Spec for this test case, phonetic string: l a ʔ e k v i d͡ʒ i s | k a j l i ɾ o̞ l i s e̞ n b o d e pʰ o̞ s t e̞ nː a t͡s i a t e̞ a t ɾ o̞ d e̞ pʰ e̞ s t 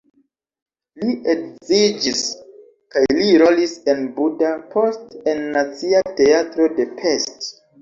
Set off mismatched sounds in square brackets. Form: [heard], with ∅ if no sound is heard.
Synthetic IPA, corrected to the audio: l [i] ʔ e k [z] i d͡ʒ i s | k a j l i ɾ o̞ l i s e̞ n b [u] d [a] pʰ o̞ s t e̞ nː a t͡s i a t e̞ a t ɾ o̞ d e̞ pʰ e̞ s t